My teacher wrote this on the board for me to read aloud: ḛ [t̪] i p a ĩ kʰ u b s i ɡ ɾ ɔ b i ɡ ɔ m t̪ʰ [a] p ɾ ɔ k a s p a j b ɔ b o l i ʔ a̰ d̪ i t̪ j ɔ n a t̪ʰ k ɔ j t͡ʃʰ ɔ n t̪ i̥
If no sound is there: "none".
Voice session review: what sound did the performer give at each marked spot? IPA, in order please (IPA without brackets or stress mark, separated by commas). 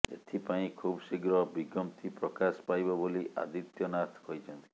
t̪ʰ, i